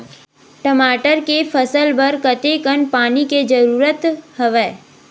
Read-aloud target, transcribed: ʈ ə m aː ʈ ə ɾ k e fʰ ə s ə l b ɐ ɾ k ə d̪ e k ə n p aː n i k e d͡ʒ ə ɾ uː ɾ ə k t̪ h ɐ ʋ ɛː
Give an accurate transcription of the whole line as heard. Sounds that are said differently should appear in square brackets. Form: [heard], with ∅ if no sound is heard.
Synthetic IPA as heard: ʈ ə m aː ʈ ə ɾ k e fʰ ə s ə l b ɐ ɾ k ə [t̪] e k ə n p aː n i k e d͡ʒ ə ɾ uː ɾ ə [∅] t̪ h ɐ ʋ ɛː